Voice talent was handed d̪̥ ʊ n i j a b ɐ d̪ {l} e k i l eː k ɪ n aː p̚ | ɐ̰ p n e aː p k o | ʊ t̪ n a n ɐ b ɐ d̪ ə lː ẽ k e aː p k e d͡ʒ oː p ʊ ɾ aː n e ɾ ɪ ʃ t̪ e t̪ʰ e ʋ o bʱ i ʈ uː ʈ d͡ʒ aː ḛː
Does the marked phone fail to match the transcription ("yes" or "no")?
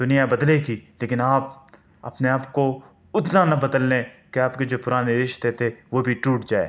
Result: no